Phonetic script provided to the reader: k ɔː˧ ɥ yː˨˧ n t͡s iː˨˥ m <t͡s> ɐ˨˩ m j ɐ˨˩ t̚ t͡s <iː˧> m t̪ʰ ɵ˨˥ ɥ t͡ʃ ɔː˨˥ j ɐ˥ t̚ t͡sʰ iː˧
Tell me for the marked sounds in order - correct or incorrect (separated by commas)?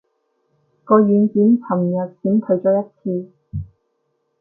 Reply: incorrect, incorrect